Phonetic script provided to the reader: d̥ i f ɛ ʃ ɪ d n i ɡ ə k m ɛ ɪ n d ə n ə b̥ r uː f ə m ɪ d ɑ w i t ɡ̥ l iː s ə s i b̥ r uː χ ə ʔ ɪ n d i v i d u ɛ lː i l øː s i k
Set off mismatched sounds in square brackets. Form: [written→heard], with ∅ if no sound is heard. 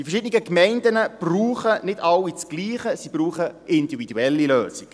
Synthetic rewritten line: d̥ i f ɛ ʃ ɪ d n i ɡ ə k m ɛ ɪ n d ə n ə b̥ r uː [f→χ] ə [m→n] ɪ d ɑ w i [t→t͡s] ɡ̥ l iː [s→χ] ə s i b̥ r uː χ ə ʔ ɪ n d i v i d u ɛ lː i l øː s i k